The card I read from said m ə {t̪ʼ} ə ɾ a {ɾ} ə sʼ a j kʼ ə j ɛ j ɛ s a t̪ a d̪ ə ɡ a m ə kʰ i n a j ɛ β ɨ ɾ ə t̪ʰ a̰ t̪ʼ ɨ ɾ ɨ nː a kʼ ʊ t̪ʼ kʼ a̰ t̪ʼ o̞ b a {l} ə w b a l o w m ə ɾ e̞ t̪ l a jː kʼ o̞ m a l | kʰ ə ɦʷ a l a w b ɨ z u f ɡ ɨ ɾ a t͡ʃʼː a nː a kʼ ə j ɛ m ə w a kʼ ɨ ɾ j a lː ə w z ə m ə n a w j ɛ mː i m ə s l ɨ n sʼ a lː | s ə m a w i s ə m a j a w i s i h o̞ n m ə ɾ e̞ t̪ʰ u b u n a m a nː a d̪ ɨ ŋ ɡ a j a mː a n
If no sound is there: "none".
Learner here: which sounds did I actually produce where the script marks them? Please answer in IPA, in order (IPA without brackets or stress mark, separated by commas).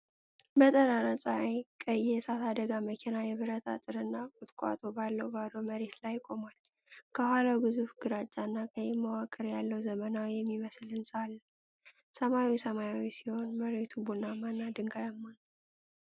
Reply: t̪ʼ, ɾ, lː